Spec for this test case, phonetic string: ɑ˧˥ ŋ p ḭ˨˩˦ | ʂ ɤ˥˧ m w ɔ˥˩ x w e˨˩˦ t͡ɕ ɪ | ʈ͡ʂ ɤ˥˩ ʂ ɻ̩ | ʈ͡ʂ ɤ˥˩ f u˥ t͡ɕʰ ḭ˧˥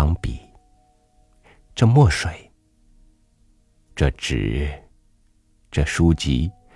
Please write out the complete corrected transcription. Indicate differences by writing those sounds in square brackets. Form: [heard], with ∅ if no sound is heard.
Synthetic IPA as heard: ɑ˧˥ ŋ p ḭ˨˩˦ | [ʈ͡ʂ] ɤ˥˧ m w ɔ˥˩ [ʂ] w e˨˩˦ [∅] ɪ | ʈ͡ʂ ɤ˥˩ [ʈ͡ʂ] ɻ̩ | ʈ͡ʂ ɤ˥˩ [ʂ] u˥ [t͡ɕ] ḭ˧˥